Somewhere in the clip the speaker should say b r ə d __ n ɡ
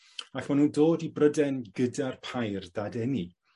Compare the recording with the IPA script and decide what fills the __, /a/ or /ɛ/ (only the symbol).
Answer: ɛ